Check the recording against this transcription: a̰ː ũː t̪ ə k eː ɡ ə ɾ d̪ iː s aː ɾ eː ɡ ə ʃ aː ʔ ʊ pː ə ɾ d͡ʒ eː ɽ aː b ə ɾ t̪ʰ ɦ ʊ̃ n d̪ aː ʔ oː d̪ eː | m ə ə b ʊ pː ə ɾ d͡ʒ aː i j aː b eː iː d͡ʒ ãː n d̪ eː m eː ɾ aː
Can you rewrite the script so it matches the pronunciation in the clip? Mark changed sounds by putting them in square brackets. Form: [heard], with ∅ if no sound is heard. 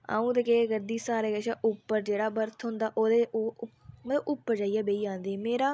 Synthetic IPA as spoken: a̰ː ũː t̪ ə k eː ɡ ə ɾ d̪ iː s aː ɾ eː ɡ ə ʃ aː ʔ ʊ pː ə ɾ d͡ʒ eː ɽ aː b ə ɾ t̪ʰ ɦ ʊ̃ n d̪ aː ʔ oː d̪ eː | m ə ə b ʊ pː ə ɾ d͡ʒ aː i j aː b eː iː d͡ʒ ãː n d̪ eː m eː ɾ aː